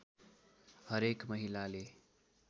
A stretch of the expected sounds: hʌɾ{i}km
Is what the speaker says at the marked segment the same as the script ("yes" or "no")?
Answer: no